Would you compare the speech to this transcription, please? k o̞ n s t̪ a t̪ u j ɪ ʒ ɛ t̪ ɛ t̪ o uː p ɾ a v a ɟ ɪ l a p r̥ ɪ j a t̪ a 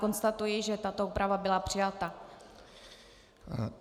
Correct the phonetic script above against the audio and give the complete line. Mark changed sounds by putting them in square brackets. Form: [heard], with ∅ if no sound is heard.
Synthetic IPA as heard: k o̞ n s t̪ a t̪ u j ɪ ʒ ɛ t̪ [a] t̪ o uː p ɾ a v a [b] ɪ l a p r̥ ɪ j a t̪ a

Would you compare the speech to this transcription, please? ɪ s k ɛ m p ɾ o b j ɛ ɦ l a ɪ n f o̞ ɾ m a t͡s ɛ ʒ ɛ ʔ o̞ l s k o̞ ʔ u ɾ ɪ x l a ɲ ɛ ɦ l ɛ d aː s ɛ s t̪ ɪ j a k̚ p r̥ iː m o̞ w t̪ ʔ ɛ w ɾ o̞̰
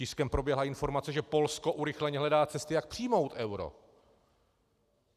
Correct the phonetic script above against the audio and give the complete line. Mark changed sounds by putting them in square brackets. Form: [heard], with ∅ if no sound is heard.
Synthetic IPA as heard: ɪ s k ɛ m p ɾ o b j ɛ ɦ l a ɪ n f o̞ ɾ m a t͡s ɛ ʒ ɛ [p] o̞ l s k o̞ ʔ u ɾ ɪ x l [ɛ] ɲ ɛ ɦ l ɛ d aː [t͡s] ɛ s t̪ ɪ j a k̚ p r̥ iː m o̞ w t̪ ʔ ɛ w ɾ o̞̰

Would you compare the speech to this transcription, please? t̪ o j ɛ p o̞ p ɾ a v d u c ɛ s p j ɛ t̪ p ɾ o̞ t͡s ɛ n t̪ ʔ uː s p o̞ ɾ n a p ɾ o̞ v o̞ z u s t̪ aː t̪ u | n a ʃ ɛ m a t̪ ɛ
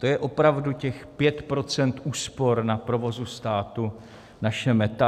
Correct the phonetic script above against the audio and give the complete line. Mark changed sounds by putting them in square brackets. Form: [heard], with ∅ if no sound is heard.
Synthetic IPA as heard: t̪ o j ɛ [ʔ] o̞ p ɾ a v d u c ɛ [x] p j ɛ t̪ p ɾ o̞ t͡s ɛ n t̪ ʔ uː s p o̞ ɾ n a p ɾ o̞ v o̞ z u s t̪ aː t̪ u | n a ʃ ɛ m [ɛ] t̪ [a]

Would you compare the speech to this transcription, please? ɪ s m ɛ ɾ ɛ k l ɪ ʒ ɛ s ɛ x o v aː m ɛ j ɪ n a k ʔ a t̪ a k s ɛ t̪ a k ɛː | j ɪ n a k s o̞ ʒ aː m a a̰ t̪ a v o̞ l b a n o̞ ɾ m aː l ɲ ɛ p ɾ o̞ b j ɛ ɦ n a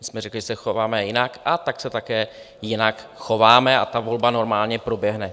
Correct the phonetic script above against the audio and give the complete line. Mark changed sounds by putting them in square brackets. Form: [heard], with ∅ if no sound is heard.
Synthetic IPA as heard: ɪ s m ɛ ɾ ɛ k l ɪ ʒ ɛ s ɛ x o v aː m ɛ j ɪ n a k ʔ a t̪ a k s ɛ t̪ a k ɛː | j ɪ n a k [x] o̞ [v] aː m [ɛ] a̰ t̪ a v o̞ l b a n o̞ ɾ m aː l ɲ ɛ p ɾ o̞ b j ɛ ɦ n [ɛ]

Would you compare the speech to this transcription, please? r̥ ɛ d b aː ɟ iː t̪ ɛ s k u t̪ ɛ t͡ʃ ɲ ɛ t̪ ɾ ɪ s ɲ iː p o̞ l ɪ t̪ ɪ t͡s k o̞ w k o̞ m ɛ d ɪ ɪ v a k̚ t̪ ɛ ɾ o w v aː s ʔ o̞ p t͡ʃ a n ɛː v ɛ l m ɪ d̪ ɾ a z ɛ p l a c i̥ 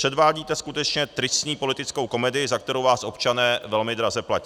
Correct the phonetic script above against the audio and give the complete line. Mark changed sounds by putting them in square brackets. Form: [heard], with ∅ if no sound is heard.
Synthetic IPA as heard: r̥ ɛ d [v] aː ɟ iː t̪ ɛ s k u t̪ ɛ t͡ʃ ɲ ɛ t̪ ɾ ɪ s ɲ iː p o̞ l ɪ t̪ ɪ t͡s k o̞ w k o̞ m ɛ d ɪ ɪ [z] a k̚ t̪ ɛ ɾ o w v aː s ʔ o̞ p t͡ʃ a n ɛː v ɛ l m ɪ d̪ ɾ a z ɛ p l a c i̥

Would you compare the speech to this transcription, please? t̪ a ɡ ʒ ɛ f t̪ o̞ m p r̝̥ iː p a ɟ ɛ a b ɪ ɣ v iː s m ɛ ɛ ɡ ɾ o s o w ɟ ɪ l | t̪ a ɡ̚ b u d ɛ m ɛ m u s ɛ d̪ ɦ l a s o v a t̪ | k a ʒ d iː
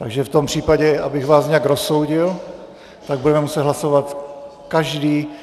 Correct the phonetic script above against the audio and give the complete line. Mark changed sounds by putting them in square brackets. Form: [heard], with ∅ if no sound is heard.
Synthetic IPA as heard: t̪ a ɡ ʒ ɛ f t̪ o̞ m p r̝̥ iː p a ɟ ɛ a b ɪ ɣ v [aː] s [ɲ] ɛ [a] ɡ ɾ o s o w ɟ ɪ l | t̪ a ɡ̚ b u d ɛ m ɛ m u s ɛ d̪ ɦ l a s o v a t̪ | k a ʒ d iː

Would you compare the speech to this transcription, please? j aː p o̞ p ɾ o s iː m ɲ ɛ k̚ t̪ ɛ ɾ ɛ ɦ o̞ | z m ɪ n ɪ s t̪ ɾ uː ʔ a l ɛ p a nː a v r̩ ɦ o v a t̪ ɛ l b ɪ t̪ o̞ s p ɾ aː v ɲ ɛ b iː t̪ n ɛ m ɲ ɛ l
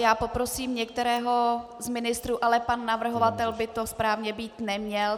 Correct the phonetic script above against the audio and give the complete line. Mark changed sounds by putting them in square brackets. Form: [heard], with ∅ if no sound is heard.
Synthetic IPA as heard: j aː p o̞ p ɾ o s iː m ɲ ɛ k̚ t̪ ɛ ɾ [ɛː] ɦ o̞ | z m ɪ n ɪ s t̪ ɾ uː ʔ a l ɛ p a nː a v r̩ ɦ o v a t̪ ɛ l b ɪ t̪ o̞ s p ɾ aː v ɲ ɛ b iː t̪ n ɛ m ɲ ɛ l

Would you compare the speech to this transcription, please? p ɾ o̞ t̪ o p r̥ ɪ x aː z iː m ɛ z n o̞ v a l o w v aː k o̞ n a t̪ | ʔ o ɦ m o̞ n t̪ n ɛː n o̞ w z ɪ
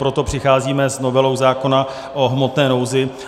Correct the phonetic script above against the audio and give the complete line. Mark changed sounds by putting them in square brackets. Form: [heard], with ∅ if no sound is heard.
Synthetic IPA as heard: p ɾ o̞ t̪ o p r̥ ɪ x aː z iː m ɛ z n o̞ v [ɛ] l o w [z] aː k o̞ n a [∅] | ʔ o ɦ m o̞ [∅] t̪ n ɛː n o̞ w z ɪ

